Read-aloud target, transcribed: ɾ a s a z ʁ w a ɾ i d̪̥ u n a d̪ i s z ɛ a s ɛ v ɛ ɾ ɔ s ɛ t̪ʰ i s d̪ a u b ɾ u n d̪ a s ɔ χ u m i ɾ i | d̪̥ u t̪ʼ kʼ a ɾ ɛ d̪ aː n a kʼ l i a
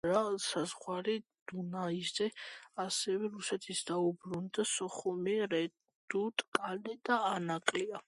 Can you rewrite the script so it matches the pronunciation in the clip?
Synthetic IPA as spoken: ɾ a s a z ʁ w a ɾ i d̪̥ u n a i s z ɛ a s ɛ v ɛ ɾ u s ɛ t̪ʰ i s d̪ a u b ɾ u n d̪ a s ɔ χ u m i ɾ ɛ | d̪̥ u t̪ʼ kʼ a l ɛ d̪ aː n a kʼ l i a

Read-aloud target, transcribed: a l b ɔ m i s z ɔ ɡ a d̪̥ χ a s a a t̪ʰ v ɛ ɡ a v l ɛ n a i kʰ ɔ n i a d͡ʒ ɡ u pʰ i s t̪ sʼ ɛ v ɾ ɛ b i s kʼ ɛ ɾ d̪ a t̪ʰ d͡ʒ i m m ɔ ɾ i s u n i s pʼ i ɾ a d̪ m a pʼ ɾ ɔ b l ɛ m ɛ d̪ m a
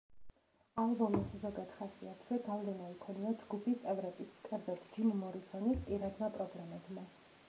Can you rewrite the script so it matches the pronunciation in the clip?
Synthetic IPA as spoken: a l b ɔ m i s z ɔ ɡ a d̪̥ χ a s i a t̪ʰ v ɛ ɡ a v l ɛ n a i kʰ ɔ n i a d͡ʒ ɡ u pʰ i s t̪ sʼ ɛ v ɾ ɛ b i s kʼ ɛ ɾ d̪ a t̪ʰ d͡ʒ i m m ɔ ɾ i s ɔ n i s pʼ i ɾ a d̪ m a pʼ ɾ ɔ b l ɛ m ɛ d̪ m a

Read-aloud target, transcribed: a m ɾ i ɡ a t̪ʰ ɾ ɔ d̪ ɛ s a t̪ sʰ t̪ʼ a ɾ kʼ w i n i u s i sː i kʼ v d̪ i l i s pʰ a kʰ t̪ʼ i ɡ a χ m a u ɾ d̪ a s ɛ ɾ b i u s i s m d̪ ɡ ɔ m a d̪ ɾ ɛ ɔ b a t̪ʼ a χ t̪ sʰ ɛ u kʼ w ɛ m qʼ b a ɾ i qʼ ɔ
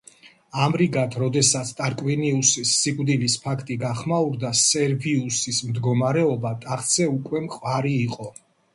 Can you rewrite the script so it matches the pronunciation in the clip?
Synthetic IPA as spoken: a m ɾ i ɡ a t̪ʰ ɾ ɔ d̪ ɛ s a t̪ sʰ t̪ʼ a ɾ kʼ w i n i u s i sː i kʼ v d̪ i l i s pʰ a kʰ t̪ʼ i ɡ a χ m a u ɾ d̪ a s ɛ ɾ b i u s i s m d̪ ɡ ɔ m a ɾ ɛ ɔ b a t̪ʼ a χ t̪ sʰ ɛ u kʼ w ɛ m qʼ w a ɾ iː qʼ ɔ

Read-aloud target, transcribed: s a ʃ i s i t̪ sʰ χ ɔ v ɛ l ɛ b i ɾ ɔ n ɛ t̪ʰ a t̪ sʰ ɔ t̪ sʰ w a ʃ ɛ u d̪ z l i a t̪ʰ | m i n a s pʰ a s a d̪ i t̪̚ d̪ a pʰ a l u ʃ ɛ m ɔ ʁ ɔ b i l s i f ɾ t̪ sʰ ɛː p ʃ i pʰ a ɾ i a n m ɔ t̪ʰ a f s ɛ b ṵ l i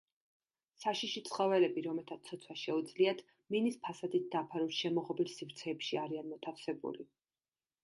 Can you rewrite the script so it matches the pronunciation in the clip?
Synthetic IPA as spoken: s a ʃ i ʃ i t̪ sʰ χ ɔ v ɛ l ɛ b i ɾ ɔ m ɛ t̪ʰ a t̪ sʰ ɔ t̪ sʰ w a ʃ ɛ u d̪ z l i a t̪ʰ | m i n i s pʰ a s a d̪ i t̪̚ d̪ a pʰ a ɾ u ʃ ɛ m ɔ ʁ ɔ b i l s i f ɾ t̪ sʰ ɛː p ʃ i a ɾ i a n m ɔ t̪ʰ a f s ɛ b ṵ l i

